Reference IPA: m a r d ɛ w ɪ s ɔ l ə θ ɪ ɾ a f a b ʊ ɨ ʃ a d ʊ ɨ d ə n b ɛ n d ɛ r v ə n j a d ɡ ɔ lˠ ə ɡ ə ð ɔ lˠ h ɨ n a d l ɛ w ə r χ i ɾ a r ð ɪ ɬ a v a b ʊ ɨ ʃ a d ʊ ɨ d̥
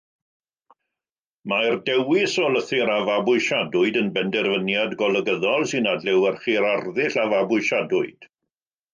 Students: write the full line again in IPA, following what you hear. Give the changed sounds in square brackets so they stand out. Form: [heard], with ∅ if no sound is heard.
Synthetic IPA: m a r d ɛ w ɪ s ɔ l ə θ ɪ ɾ a [v] a b ʊ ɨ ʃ a d ʊ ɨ d ə n b ɛ n d ɛ r v ə n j a d ɡ ɔ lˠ ə ɡ ə ð ɔ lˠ [s] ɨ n a d l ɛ w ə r χ i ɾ a r ð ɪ ɬ a v a b ʊ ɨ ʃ a d ʊ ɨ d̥

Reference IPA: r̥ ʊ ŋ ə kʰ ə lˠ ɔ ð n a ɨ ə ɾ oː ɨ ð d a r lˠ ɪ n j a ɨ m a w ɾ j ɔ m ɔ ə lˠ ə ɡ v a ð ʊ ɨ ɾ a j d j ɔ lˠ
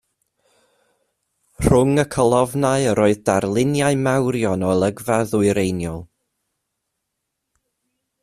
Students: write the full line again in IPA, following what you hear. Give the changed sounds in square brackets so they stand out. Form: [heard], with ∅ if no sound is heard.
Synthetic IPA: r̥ ʊ ŋ ə kʰ ə lˠ ɔ [v] n a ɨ ə ɾ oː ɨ ð d a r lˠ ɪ n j a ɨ m a w ɾ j ɔ [n] ɔ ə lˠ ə ɡ v a ð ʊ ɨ ɾ [e] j [n] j ɔ lˠ

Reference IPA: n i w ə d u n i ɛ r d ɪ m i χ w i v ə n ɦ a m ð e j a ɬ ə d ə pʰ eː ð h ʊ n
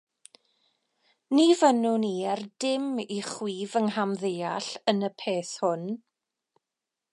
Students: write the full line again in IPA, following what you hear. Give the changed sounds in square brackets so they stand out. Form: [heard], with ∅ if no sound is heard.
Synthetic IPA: n i [v] ə [n] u n i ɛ r d ɪ m i χ w [iː] v ə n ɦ a m ð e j a ɬ ə [n] ə pʰ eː [θ] h ʊ n

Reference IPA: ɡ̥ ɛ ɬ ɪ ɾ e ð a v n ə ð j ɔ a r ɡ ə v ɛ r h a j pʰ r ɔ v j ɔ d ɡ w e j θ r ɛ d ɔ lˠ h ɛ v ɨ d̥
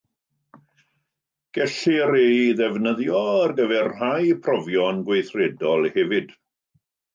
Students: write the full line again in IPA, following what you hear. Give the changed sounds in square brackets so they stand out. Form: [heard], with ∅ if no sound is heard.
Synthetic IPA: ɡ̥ ɛ ɬ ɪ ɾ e ð [ɛ] v n ə ð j ɔ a r ɡ ə v ɛ r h a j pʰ r ɔ v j ɔ [n] ɡ w e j θ r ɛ d ɔ lˠ h ɛ v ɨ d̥

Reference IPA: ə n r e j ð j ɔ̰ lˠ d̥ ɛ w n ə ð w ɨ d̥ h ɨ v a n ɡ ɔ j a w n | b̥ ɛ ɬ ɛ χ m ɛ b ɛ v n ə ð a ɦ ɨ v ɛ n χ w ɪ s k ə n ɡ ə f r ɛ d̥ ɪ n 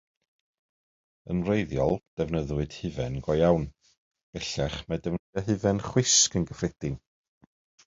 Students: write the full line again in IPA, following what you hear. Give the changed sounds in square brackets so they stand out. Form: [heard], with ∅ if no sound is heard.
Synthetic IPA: ə n r e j ð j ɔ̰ lˠ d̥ ɛ [v] n ə ð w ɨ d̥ h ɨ v [ɛ] n ɡ ɔ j a w n | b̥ ɛ ɬ ɛ χ m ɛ [d] ɛ v n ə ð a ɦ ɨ v ɛ n χ w ɪ s k ə n ɡ ə f r ɛ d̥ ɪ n

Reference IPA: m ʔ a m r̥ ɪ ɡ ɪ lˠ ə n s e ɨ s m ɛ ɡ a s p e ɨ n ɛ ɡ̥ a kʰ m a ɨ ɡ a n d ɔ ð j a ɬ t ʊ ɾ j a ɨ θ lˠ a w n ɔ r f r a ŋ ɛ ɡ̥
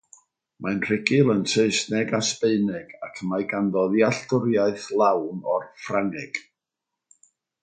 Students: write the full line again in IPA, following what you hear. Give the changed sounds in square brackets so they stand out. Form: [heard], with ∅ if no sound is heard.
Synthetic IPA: m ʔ a [n] r̥ ɪ ɡ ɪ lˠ ə n s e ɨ s [n] ɛ ɡ a s p e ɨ n ɛ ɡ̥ a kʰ m a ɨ ɡ a n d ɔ ð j a ɬ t ʊ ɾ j a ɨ θ lˠ a w n ɔ r f r a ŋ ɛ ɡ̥

